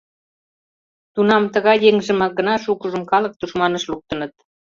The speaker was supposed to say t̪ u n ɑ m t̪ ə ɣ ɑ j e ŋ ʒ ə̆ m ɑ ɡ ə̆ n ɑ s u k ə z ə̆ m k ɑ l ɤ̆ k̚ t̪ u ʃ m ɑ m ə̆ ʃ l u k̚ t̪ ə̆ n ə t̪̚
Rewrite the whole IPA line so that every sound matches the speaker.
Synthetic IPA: t̪ u n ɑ m t̪ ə ɣ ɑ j e ŋ ʒ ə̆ m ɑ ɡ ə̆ n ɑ ʃ u k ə ʒ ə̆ m k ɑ l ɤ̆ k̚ t̪ u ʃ m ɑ n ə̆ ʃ l u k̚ t̪ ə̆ n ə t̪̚